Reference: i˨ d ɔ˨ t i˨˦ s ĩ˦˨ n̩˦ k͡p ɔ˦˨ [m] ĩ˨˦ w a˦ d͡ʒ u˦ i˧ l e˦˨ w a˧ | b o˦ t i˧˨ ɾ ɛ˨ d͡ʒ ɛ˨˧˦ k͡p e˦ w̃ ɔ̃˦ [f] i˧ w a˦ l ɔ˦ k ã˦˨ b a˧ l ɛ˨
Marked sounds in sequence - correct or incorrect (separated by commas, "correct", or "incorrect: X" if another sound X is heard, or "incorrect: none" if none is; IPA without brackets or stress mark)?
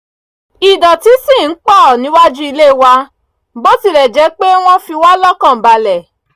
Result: incorrect: n, correct